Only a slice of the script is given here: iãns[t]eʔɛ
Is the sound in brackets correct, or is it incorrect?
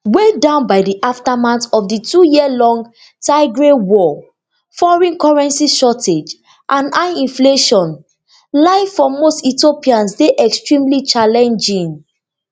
incorrect